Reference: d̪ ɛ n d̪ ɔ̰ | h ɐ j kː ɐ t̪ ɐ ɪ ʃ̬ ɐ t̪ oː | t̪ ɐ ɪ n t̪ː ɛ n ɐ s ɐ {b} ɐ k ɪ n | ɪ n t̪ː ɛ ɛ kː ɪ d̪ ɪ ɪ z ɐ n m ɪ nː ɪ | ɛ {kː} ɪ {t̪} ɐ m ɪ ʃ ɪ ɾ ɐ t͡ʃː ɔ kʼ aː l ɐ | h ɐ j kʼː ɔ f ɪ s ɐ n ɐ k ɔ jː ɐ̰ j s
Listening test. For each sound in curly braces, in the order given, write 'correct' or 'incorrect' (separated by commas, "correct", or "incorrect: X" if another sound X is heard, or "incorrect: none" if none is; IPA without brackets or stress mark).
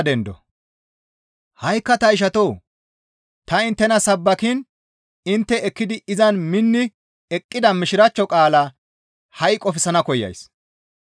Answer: incorrect: bː, incorrect: kʼː, incorrect: d̪